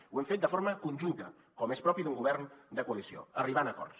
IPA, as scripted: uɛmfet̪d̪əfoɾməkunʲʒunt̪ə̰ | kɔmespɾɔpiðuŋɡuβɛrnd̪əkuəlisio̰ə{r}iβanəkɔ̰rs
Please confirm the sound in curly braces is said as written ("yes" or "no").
yes